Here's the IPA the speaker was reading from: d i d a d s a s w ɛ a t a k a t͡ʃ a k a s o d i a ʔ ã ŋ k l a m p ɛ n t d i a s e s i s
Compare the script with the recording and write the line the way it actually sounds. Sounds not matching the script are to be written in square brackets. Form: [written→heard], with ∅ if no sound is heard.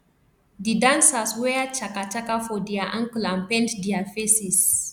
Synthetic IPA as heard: d i d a [d→n] s a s w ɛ a [t→t͡ʃ] a k a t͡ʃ a k a [s→f] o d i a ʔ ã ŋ k l a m p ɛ n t d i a [s→f] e s i s